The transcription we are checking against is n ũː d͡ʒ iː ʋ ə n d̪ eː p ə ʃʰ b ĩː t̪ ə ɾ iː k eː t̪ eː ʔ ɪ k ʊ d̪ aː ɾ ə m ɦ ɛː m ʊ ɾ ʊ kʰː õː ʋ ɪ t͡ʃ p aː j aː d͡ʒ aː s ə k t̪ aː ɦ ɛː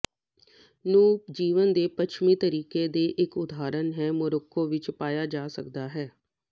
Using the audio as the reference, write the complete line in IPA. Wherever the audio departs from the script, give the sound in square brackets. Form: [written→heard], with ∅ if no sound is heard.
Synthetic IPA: n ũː d͡ʒ iː ʋ ə n d̪ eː p ə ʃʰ [b→m] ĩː t̪ ə ɾ iː k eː [t̪→d̪] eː ʔ ɪ k ʊ d̪ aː ɾ ə [m→n] ɦ ɛː m ʊ ɾ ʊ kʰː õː ʋ ɪ t͡ʃ p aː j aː d͡ʒ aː s ə k [t̪→d̪] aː ɦ ɛː